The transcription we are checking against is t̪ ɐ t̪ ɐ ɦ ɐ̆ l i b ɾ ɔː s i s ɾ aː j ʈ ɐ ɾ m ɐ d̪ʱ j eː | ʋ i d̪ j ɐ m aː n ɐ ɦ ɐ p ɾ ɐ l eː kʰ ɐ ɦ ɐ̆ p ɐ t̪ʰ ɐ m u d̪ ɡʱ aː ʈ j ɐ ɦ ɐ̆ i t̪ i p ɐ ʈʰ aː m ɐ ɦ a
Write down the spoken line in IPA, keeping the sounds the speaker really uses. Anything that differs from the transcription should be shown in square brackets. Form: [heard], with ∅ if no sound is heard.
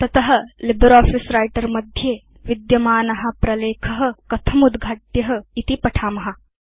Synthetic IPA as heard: t̪ ɐ t̪ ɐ ɦ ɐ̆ l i b ɾ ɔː [f] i s ɾ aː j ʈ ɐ ɾ m ɐ d̪ʱ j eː | ʋ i d̪ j ɐ m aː n ɐ ɦ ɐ p ɾ ɐ l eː kʰ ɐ ɦ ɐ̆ [k] ɐ t̪ʰ ɐ m u d̪ ɡʱ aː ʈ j ɐ ɦ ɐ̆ i t̪ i p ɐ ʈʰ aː m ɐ ɦ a